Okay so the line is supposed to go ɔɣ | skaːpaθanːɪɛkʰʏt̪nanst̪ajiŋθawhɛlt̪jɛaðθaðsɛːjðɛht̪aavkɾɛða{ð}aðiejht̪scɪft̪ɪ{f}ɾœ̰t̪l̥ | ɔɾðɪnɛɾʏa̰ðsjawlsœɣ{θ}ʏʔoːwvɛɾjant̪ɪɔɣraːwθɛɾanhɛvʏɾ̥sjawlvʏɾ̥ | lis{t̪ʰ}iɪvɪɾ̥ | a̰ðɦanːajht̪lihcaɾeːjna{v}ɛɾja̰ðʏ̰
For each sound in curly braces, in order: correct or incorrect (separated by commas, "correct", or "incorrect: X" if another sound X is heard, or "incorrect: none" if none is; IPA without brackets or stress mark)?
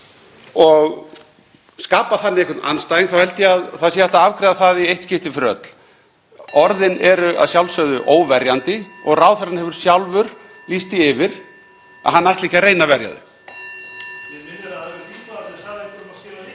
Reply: incorrect: θ, correct, incorrect: ð, incorrect: t̪, correct